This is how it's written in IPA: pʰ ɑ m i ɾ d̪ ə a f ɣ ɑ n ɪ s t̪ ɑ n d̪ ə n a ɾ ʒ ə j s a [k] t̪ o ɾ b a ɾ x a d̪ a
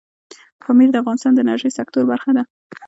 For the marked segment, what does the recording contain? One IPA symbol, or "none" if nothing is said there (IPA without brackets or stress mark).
k